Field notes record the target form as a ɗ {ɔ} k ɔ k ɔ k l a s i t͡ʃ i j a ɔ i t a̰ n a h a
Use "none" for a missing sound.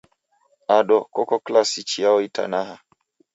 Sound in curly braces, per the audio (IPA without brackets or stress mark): ɔ